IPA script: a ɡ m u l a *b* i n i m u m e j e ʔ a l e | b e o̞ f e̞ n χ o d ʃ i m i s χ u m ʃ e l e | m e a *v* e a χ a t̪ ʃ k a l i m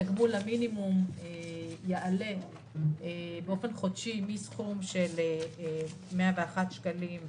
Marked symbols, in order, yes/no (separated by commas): no, yes